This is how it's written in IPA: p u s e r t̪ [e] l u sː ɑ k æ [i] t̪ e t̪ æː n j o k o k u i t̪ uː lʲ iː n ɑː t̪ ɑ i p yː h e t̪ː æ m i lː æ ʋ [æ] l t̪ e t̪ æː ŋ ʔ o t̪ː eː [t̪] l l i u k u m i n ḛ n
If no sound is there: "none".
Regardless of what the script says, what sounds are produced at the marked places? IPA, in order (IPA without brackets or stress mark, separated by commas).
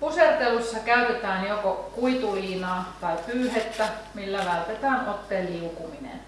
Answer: e, y, æ, none